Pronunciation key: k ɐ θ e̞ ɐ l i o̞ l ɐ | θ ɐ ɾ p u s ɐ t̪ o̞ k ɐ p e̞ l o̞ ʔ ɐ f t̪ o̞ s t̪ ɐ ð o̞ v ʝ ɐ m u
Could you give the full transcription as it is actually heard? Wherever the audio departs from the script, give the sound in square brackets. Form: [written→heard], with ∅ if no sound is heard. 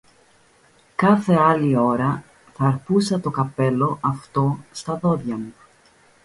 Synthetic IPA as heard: k ɐ θ e̞ ɐ l i o̞ [l→ɾ] ɐ | θ ɐ ɾ p u s ɐ t̪ o̞ k ɐ p e̞ l o̞ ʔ ɐ f t̪ o̞ s t̪ ɐ ð o̞ [v→ð] ʝ ɐ m u